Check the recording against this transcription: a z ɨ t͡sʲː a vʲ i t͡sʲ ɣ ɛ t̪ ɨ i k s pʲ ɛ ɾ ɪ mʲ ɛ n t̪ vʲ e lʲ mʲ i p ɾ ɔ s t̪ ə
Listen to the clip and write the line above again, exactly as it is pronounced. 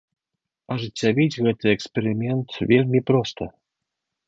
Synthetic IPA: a ʐ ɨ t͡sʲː a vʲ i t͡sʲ ɣ ɛ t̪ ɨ ɛ k s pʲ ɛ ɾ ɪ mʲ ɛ n t̪ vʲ e lʲ mʲ i p ɾ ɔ s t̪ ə